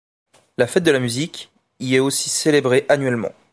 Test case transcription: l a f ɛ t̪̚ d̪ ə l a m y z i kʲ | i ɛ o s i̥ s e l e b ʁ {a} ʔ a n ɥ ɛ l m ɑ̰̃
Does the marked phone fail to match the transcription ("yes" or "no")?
yes